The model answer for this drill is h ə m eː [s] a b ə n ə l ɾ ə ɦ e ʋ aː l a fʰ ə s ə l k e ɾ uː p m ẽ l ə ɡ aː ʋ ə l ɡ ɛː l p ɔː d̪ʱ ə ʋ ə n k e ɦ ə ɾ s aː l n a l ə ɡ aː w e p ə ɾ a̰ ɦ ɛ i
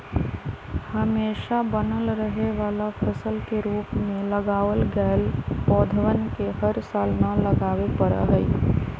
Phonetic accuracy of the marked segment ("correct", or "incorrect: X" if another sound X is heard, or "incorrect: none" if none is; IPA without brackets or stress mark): incorrect: ʃ